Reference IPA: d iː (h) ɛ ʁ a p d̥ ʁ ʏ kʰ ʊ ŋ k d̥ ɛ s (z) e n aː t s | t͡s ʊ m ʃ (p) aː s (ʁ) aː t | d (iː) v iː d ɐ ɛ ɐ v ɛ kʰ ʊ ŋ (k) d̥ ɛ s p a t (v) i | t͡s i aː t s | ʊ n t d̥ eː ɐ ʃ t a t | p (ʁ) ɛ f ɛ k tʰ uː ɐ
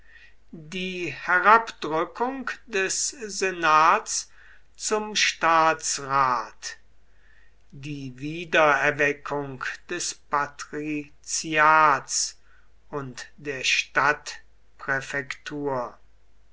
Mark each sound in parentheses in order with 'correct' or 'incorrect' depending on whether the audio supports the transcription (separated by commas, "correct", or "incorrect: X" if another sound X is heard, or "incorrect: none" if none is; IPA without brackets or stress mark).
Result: correct, correct, incorrect: t, correct, correct, correct, incorrect: ʁ, correct